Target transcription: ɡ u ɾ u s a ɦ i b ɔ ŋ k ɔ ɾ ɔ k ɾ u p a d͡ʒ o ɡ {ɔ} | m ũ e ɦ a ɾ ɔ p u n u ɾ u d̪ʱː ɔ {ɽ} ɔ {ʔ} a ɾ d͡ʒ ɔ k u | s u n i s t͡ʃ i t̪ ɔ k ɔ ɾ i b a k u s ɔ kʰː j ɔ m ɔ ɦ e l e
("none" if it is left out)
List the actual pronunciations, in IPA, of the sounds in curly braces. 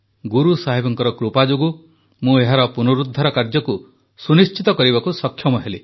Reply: u, ɾ, k

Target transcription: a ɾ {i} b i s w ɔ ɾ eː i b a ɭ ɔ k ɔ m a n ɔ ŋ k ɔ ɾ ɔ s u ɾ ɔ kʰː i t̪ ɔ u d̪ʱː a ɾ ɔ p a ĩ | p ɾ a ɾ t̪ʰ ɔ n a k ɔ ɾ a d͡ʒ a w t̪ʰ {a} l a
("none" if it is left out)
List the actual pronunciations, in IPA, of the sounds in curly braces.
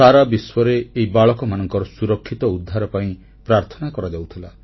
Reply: a, i

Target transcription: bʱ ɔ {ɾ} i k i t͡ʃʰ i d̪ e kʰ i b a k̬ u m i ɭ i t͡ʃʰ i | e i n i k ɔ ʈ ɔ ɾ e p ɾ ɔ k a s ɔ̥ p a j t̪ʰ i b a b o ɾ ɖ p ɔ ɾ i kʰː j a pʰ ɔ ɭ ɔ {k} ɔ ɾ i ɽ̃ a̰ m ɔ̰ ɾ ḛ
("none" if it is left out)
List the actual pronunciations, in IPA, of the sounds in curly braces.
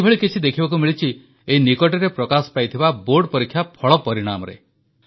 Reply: ɭ, p

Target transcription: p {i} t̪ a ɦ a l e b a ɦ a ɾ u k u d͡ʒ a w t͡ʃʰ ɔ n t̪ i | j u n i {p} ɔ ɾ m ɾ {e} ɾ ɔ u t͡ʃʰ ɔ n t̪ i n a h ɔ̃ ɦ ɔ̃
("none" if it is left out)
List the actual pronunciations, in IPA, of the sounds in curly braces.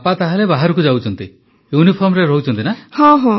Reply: a, pʰ, e

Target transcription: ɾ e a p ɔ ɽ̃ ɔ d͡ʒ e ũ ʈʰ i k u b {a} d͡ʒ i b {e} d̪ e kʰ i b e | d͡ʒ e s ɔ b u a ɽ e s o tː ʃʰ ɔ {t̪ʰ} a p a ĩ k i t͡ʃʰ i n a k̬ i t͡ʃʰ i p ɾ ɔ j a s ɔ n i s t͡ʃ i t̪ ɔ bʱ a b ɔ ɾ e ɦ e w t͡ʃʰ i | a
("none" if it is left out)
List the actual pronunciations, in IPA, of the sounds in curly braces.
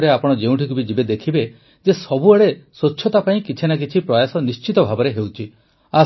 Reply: i, e, t̪

